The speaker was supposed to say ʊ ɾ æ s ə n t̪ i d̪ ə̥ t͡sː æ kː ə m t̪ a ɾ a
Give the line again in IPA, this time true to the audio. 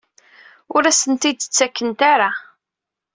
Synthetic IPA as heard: ʊ ɾ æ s ə n t̪ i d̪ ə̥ t͡sː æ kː ə n t̪ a ɾ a